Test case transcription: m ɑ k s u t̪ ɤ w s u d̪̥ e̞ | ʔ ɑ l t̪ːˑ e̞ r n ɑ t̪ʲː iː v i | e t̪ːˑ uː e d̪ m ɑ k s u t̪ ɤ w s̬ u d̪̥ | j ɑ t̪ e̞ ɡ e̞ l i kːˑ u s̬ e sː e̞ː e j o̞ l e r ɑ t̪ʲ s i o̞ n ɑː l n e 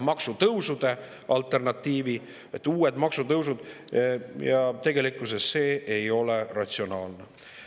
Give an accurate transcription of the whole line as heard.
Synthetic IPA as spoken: m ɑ k s u t̪ ɤ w s u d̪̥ e̞ | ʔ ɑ l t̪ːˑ e̞ r n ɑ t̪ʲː iː v i | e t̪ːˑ uː e d̪ m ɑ k s u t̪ ɤ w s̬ u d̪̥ | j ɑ t̪ e̞ ɡ e̞ l i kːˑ u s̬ e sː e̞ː e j o̞ l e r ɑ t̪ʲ s i o̞ n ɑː l n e